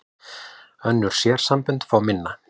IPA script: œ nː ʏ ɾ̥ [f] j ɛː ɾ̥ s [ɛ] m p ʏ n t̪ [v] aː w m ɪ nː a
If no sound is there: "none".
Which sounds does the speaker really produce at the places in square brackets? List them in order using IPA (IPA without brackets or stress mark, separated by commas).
s, a, f